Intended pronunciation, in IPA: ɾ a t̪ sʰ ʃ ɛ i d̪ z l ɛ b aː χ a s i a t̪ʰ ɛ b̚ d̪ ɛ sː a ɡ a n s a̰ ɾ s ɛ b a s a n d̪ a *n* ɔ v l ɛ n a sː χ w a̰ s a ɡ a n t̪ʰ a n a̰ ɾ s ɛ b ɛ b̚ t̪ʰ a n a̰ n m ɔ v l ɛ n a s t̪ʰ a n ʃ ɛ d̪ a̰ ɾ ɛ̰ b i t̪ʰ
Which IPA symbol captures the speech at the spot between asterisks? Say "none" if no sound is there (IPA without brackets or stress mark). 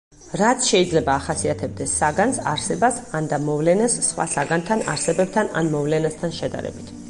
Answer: m